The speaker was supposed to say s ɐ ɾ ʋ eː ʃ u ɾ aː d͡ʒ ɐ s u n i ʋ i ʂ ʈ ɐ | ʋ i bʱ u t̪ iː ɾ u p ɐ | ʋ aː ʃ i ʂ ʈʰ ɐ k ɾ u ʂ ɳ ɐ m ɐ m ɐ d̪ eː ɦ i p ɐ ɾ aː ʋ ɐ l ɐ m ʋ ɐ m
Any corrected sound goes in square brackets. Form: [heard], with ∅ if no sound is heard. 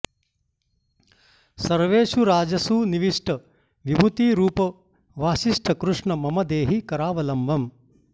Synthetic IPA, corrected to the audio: s ɐ ɾ ʋ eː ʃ u ɾ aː d͡ʒ ɐ s u n i ʋ i ʂ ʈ ɐ | ʋ i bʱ u t̪ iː ɾ [uː] p ɐ | ʋ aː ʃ i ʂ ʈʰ ɐ k ɾ u ʂ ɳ ɐ m ɐ m ɐ d̪ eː ɦ i [k] ɐ ɾ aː ʋ ɐ l ɐ m ʋ ɐ m